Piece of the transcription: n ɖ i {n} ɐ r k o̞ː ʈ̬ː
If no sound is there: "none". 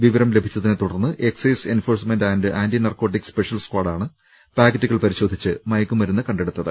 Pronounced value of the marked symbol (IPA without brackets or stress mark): n